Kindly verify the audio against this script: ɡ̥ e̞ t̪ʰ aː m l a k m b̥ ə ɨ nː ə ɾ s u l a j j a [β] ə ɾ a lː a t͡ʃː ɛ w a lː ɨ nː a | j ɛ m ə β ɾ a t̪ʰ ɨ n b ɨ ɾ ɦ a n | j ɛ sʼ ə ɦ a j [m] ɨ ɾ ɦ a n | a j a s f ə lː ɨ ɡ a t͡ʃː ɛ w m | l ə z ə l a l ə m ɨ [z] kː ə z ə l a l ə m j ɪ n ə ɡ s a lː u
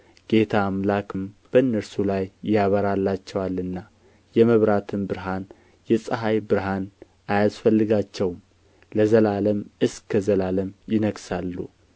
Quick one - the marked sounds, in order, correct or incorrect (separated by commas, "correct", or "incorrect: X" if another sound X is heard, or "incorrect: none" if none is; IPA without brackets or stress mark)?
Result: correct, incorrect: b, incorrect: s